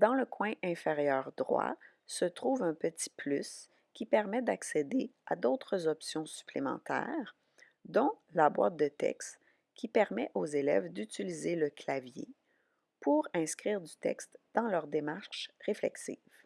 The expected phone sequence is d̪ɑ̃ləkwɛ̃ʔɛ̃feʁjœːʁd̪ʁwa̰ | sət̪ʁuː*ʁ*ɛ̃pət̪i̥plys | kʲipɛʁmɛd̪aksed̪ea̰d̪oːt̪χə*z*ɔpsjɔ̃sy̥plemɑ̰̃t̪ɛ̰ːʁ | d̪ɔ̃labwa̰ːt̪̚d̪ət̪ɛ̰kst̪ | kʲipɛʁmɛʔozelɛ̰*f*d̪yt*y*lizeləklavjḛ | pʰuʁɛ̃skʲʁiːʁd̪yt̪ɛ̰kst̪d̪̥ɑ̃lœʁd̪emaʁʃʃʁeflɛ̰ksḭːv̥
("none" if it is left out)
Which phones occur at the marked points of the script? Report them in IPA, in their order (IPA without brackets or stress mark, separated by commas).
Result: v, z, v, i